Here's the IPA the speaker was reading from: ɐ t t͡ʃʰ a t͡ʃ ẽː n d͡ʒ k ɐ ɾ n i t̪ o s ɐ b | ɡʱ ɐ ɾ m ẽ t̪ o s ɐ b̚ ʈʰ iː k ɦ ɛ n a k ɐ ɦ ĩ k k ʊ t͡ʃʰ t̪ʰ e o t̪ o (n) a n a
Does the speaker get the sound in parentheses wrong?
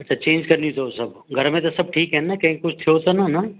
no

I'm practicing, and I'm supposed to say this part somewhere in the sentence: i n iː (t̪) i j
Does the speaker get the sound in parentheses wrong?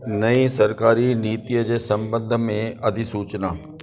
no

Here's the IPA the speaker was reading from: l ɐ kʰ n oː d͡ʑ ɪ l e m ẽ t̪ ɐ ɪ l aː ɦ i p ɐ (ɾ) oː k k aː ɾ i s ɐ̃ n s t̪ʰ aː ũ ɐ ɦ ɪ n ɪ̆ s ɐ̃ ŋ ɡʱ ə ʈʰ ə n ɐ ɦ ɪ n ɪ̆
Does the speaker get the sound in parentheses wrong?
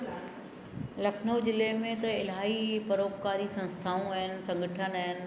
no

